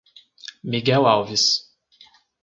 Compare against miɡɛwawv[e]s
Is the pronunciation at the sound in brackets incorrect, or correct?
incorrect: i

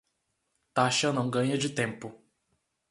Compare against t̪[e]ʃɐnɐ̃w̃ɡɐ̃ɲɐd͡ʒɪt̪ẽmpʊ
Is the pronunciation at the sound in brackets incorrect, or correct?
incorrect: a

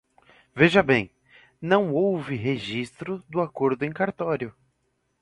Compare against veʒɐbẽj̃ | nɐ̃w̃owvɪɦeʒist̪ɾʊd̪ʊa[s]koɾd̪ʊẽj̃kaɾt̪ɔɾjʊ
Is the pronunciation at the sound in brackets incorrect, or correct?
incorrect: none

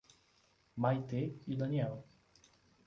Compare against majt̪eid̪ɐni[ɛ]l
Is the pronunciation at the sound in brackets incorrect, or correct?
correct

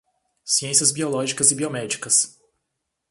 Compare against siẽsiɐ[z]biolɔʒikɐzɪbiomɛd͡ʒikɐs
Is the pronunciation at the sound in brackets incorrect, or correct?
correct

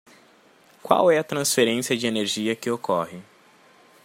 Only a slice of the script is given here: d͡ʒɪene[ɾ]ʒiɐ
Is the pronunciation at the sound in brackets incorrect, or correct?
correct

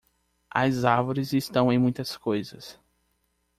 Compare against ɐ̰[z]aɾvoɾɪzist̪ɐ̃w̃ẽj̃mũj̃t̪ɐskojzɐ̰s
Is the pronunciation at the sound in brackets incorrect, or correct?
correct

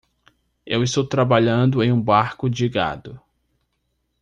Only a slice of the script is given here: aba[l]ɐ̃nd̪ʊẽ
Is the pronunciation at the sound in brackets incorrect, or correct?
incorrect: ʎ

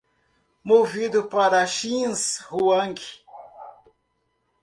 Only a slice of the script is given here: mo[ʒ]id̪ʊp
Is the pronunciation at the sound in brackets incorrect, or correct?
incorrect: v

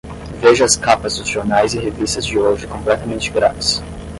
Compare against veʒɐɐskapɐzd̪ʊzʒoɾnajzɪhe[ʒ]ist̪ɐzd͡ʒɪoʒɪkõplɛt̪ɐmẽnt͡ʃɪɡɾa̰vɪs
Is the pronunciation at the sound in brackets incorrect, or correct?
incorrect: v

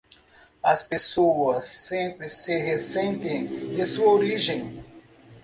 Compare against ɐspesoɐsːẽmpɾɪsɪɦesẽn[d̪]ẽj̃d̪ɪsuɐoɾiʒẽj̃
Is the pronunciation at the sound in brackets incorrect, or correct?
incorrect: t̪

